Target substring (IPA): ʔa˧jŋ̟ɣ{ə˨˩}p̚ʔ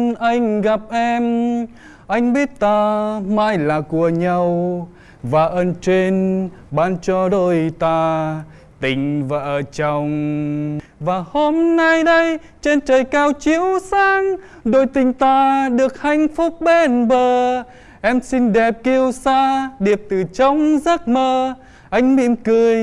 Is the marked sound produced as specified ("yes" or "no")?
no